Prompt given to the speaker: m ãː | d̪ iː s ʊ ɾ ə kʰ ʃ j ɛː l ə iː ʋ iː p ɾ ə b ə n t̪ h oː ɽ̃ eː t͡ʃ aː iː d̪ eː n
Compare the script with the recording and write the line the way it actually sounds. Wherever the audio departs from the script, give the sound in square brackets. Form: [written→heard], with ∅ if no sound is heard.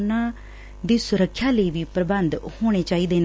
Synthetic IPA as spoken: [m→n] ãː | d̪ iː s ʊ ɾ ə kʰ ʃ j [ɛː→aː] l ə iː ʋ iː p ɾ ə b ə n [t̪→d̪] h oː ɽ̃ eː t͡ʃ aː iː d̪ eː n